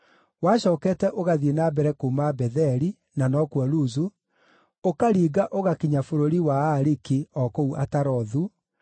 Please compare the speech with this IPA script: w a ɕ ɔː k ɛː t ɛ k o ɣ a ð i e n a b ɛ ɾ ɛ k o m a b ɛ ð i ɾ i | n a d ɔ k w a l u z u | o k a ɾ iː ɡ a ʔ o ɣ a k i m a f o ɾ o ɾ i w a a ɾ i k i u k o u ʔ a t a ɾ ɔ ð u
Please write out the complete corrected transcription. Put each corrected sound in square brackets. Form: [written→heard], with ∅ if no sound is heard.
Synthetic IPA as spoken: w a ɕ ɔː k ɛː t ɛ [k→ʔ] o ɣ a ð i e n a b ɛ ɾ ɛ k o m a b ɛ ð [i→ɛ] ɾ i | n a [d→n] ɔ k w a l u z u | o k a ɾ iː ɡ a ʔ o ɣ a k i [m→ɲ] a f o ɾ o ɾ i w a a ɾ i k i [u→ɔ] k o u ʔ a t a ɾ ɔ ð u